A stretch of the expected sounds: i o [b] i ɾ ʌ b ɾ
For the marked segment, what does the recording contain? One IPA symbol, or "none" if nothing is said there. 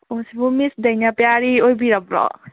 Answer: b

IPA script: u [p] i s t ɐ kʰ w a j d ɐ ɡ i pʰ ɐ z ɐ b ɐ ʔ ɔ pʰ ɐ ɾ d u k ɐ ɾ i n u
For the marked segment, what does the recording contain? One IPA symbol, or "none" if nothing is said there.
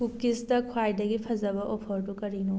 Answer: k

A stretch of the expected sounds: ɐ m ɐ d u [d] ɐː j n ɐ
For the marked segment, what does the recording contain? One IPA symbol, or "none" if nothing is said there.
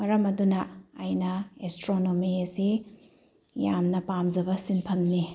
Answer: n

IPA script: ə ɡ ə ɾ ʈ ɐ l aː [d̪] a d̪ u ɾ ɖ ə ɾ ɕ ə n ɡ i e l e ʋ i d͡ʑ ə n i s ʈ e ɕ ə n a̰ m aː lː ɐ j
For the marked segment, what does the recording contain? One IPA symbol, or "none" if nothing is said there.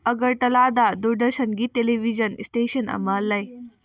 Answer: d̪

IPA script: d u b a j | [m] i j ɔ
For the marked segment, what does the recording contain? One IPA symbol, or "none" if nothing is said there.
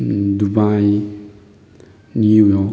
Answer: n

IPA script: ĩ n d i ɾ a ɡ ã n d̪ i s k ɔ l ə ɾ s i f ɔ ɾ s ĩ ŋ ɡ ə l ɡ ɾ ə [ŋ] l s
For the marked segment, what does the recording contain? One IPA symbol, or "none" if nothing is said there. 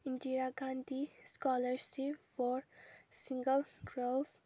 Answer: none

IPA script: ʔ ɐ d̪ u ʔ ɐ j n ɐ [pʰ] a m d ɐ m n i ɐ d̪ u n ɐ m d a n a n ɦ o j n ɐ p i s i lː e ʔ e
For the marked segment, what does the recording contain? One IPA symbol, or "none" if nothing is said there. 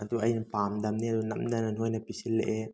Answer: p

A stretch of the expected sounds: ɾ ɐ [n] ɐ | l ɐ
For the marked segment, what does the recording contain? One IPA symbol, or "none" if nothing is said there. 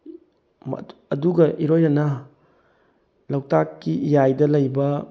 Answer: n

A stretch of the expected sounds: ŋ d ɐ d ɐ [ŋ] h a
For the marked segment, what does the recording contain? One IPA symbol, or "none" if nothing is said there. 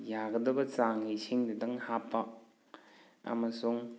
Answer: ŋ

